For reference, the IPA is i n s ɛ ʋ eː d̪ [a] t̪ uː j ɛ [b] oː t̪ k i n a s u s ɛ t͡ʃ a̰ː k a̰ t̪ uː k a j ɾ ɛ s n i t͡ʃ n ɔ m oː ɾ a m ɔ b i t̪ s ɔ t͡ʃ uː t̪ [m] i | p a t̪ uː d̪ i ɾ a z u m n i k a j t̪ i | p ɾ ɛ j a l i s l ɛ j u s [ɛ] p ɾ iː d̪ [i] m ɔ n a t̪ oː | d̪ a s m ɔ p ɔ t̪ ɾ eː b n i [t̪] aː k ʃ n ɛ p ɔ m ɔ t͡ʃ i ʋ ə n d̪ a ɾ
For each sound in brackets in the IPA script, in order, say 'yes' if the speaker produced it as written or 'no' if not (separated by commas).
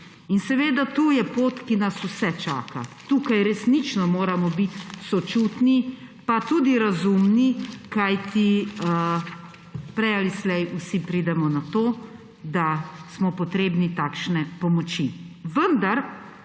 yes, no, no, no, no, yes